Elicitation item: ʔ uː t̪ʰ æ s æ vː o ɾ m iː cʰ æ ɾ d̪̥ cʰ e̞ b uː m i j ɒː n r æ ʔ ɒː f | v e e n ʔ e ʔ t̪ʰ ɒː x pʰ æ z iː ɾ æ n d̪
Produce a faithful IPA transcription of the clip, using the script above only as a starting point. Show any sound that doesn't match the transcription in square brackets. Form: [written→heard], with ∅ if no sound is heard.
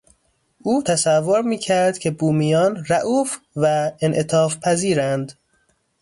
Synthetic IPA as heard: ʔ uː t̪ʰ æ s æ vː o ɾ m iː cʰ æ ɾ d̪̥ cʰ e̞ b uː m i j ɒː n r æ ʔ [ɒː→uː] f | v [e→æ] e n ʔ e [ʔ→∅] t̪ʰ ɒː [x→f] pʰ æ z iː ɾ æ n d̪